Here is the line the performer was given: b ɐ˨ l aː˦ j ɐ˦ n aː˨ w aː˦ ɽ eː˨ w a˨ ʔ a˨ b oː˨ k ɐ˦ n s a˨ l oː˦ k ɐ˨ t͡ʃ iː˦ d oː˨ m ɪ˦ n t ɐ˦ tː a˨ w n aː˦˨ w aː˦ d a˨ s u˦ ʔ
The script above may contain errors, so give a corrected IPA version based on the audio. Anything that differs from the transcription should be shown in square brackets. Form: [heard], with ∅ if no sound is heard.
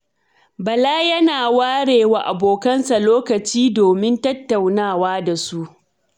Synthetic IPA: b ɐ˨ l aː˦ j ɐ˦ n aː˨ w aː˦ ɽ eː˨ w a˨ ʔ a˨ b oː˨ k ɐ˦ n s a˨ l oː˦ k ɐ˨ t͡ʃ iː˦ d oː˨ m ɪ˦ n t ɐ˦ tː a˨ w n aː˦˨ w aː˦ d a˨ s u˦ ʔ